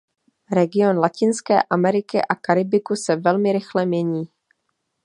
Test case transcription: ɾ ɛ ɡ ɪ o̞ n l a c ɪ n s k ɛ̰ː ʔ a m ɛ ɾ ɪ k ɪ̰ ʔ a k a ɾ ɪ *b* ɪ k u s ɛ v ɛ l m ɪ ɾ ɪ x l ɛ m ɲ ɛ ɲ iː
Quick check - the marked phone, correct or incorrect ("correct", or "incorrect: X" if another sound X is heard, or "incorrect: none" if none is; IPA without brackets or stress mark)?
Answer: correct